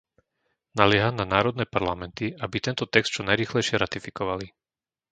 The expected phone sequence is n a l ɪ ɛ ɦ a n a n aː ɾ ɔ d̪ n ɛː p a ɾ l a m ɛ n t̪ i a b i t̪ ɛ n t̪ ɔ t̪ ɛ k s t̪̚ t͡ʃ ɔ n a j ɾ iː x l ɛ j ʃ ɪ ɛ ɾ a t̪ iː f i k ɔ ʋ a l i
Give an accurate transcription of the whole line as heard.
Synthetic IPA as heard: n a l ɪ ɛ ɦ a n a n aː ɾ ɔ d̪ n ɛː p a ɾ l a m ɛ n t̪ i a b i t̪ ɛ n t̪ ɔ t̪ ɛ k s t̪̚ t͡ʃ ɔ n a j ɾ iː x l ɛ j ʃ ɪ ɛ ɾ a t̪ i f i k ɔ ʋ a l i

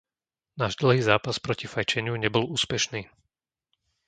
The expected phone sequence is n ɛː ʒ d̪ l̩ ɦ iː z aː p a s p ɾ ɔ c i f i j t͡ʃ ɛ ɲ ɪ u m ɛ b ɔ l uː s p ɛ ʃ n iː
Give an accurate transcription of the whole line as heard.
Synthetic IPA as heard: n aː ʒ d̪ l̩ ɦ iː z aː p a s p ɾ ɔ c i f a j t͡ʃ ɛ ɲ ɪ u ɲ ɛ b ɔ l uː s p ɛ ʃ n iː

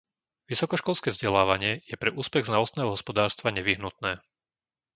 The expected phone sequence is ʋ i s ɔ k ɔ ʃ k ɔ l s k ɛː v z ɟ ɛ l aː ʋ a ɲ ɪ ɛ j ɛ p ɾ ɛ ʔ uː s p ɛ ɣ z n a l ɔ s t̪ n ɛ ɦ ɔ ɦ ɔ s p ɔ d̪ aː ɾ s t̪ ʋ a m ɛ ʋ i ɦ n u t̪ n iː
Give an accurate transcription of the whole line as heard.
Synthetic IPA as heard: ʋ i s ɔ k ɔ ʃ k ɔ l s k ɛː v z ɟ ɛ l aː ʋ a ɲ ɪ ɛ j ɛ p ɾ ɛ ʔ uː s p ɛ ɣ z n a l ɔ s t̪ n ɛː ɦ ɔ ɦ ɔ s p ɔ d̪ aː ɾ s t̪ ʋ a ɲ ɛ ʋ i ɦ n u t̪ n ɛː

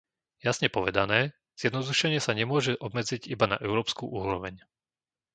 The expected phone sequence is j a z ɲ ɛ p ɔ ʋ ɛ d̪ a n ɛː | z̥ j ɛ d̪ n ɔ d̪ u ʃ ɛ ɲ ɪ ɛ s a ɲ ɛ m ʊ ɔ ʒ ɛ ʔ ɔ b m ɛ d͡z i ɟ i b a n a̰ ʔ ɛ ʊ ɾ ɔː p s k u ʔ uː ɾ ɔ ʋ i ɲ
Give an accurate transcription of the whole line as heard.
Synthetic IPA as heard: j a s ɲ ɛ p ɔ ʋ ɛ d̪ a n ɛː | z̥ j ɛ d̪ n ɔ d̪ u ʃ ɛ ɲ ɪ ɛ s a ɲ ɛ m ʊ ɔ ʒ ɛ ʔ ɔ b m ɛ d͡z i ɟ i b a n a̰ ʔ ɛ ʊ ɾ ɔː p s k u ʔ uː ɾ ɔ ʋ ɛ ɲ

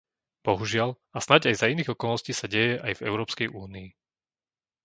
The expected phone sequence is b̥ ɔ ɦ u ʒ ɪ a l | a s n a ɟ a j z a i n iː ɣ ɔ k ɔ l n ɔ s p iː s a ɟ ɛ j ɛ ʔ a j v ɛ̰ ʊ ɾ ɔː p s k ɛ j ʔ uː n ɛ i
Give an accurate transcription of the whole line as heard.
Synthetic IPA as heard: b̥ ɔ ɦ u ʒ ɪ a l | a s n a ɟ a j z a i n iː ɣ ɔ k ɔ l n ɔ s c iː s a ɟ ɛ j ɛ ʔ a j v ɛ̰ ʊ ɾ ɔː p s k ɛ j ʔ uː n i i

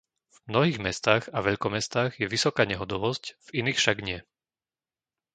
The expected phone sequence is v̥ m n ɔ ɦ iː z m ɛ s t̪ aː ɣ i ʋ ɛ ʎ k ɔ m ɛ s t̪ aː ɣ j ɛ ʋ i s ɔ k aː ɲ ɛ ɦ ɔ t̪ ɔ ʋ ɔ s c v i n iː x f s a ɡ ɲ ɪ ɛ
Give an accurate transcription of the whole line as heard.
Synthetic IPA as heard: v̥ m n ɔ ɦ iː ɣ m ɛ s t̪ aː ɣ a ʋ ɛ ʎ k ɔ m ɛ s t̪ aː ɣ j ɛ ʋ i s ɔ k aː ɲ ɛ ɦ ɔ d̪ ɔ ʋ ɔ s c v i n iː x f ʃ a ɡ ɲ ɪ ɛ

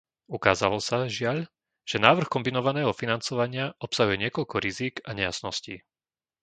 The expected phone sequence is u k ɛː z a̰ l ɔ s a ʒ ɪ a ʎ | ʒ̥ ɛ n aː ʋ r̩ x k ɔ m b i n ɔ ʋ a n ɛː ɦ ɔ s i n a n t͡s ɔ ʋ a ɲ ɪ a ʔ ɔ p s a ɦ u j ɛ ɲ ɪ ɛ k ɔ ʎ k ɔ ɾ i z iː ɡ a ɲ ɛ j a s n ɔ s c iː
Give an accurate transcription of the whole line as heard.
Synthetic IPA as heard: u k aː z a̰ l ɔ s a ʒ ɪ a ʎ | ʒ̥ ɛ n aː ʋ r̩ x k ɔ m b i n ɔ ʋ a n ɛː ɦ ɔ f i n a n t͡s ɔ ʋ a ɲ ɪ a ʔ ɔ p s a ɦ u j ɛ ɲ ɪ ɛ k ɔ ʎ k ɔ ɾ i z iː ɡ a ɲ ɛ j a s n ɔ s c iː

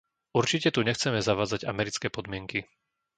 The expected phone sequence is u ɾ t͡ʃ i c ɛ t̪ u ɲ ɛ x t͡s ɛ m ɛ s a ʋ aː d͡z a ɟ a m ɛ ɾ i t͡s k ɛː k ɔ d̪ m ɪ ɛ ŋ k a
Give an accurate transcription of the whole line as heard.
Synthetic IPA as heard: u ɾ t͡ʃ i c ɛ t̪ u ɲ ɛ x t͡s ɛ m ɛ z a ʋ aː d͡z a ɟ a m ɛ ɾ i t͡s k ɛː p ɔ d̪ m ɪ ɛ ŋ k i

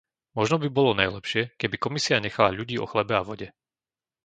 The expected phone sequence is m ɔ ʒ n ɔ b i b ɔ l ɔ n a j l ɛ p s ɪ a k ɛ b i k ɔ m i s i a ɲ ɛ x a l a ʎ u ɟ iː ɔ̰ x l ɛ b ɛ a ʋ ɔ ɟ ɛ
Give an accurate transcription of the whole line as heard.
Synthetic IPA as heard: m ɔ ʒ n ɔ b i b ɔ l ɔ n a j l ɛ p ʃ ɪ ɛ k ɛ b i k ɔ m i s i a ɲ ɛ x a l a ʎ u ɟ iː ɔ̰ x l ɛ b ɛ a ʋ ɔ ɟ ɛ

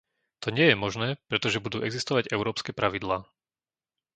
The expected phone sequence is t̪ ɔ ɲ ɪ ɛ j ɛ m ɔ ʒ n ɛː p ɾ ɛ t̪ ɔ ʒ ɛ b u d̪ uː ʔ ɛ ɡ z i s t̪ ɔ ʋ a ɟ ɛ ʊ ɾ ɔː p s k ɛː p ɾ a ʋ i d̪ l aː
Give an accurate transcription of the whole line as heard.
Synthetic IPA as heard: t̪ ɔ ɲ ɪ ɛ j ɛ m ɔ ʒ n ɛː p ɾ ɛ t̪ ɔ ʒ ɛ b u d̪ uː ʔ ɛ ɡ z i s t̪ ɔ ʋ a ɟ ɛ ʊ ɾ ɔː p s k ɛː p ɾ a ʋ i d̪ l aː

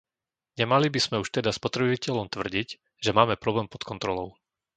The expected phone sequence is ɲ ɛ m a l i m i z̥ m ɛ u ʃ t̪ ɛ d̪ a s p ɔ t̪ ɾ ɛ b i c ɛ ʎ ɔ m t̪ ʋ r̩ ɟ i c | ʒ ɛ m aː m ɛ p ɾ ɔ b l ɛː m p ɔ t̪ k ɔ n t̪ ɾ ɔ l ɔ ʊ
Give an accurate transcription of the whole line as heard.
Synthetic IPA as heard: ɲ ɛ m a l i b i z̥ m ɛ u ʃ t̪ ɛ d̪ a s p ɔ t̪ ɾ ɛ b i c ɛ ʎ ɔ m t̪ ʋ r̩ ɟ i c | ʒ ɛ m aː m ɛ p ɾ ɔ b l ɛː m p ɔ t̪ k ɔ n t̪ ɾ ɔ l ɔ ʊ

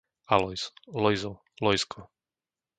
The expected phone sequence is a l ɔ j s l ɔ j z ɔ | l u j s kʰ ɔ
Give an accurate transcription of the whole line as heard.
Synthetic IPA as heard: a l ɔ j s l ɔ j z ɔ | l ɔ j s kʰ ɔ

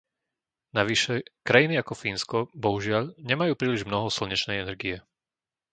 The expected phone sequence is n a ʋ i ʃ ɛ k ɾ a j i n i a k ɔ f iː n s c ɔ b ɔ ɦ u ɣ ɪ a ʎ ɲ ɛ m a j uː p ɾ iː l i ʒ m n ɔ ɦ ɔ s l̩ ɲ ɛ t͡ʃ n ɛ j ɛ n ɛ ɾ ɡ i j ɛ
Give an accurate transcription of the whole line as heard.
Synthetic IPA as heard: n a ʋ i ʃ ɛ k ɾ a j i n i a k ɔ f iː n s k ɔ b ɔ ɦ u ʒ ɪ a ʎ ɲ ɛ m a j uː p ɾ iː l i ʒ m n ɔ ɦ ɔ s l̩ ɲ ɛ t͡ʃ n ɛ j ɛ n ɛ ɾ ɡ i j ɛ

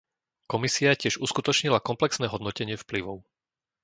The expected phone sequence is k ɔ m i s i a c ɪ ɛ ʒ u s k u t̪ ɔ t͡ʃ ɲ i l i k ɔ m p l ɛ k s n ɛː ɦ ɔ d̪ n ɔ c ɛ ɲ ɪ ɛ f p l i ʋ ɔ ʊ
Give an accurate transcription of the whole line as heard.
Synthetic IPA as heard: k ɔ m i s i a c ɪ ɛ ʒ u s k u t̪ ɔ t͡ʃ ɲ i l a k ɔ m p l ɛ k s n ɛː ɦ ɔ d̪ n ɔ c ɛ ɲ ɪ ɛ f p l i ʋ ɔ ʊ

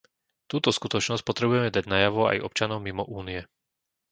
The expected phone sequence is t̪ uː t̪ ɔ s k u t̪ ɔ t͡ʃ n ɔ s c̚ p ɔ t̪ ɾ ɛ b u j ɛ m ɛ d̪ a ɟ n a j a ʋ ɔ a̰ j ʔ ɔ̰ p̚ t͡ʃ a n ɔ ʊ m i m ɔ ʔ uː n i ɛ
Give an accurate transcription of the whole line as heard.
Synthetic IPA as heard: t̪ uː t̪ ɔ s k u t̪ ɔ t͡ʃ n ɔ s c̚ p ɔ t̪ ɾ ɛ b u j ɛ m ɛ d̪ a ɟ n a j a ʋ ɔ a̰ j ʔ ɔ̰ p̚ t͡ʃ a n ɔ ʊ m i m ɔ ʔ uː n i ɛ

